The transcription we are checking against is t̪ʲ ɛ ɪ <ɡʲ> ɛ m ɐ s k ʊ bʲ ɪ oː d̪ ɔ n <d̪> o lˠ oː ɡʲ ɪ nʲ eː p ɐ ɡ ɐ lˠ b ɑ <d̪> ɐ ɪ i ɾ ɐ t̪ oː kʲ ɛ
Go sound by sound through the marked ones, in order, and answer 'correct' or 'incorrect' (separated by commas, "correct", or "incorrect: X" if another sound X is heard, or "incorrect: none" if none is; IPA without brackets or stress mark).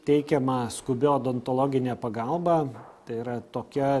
incorrect: kʲ, incorrect: t̪, incorrect: t̪